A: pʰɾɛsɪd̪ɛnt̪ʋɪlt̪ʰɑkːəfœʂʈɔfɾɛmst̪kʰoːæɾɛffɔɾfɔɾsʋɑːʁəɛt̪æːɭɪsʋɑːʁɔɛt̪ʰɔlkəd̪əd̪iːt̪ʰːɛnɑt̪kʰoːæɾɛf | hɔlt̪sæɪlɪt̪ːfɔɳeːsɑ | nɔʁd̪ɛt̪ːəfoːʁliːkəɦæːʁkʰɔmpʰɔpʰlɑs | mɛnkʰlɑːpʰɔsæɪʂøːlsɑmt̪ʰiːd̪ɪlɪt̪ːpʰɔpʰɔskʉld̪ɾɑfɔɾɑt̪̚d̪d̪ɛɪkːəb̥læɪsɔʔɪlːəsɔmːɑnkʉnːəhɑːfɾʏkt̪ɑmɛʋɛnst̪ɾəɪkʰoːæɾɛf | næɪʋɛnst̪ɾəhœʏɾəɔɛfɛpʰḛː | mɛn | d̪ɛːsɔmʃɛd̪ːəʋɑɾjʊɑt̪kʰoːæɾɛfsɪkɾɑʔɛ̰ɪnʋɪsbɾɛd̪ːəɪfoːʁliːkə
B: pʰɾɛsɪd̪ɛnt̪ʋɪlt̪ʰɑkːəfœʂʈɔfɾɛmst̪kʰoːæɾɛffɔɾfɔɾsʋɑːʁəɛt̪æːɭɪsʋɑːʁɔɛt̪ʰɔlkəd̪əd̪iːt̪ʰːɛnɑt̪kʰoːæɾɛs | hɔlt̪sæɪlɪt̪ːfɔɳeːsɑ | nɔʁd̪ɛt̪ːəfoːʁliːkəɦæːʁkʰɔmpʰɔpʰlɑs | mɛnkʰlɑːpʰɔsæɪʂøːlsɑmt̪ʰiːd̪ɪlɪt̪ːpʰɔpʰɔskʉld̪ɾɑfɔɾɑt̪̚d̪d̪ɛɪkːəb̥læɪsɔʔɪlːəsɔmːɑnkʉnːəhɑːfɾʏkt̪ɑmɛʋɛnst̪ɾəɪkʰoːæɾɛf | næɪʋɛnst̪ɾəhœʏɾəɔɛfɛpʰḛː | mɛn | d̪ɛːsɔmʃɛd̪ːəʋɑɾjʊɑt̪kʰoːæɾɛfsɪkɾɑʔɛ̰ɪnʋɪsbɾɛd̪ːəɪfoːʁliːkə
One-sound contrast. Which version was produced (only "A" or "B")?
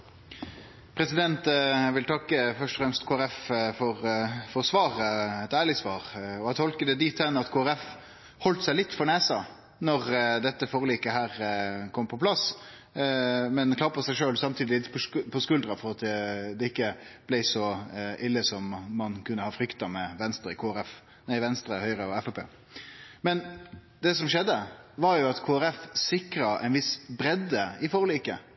A